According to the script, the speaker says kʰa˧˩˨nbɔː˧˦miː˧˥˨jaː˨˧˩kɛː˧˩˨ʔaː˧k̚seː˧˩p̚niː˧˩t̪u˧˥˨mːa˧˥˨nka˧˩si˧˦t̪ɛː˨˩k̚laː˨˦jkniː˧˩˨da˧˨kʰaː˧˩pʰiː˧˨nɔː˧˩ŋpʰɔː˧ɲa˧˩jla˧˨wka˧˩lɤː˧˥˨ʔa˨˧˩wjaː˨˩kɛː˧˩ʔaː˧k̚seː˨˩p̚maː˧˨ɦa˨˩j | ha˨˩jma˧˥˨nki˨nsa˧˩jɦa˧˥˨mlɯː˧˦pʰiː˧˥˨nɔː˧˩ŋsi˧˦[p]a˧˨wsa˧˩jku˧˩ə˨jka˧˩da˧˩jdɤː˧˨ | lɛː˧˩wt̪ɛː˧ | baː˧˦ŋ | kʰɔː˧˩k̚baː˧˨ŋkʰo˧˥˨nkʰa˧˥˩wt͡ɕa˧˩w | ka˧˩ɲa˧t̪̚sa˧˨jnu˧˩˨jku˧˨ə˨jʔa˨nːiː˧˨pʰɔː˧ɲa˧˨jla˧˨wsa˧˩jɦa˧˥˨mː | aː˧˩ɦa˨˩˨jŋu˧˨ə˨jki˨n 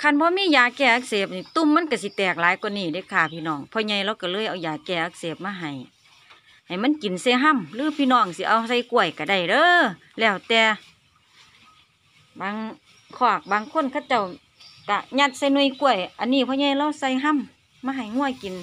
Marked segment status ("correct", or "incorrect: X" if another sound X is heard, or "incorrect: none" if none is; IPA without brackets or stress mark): incorrect: ʔ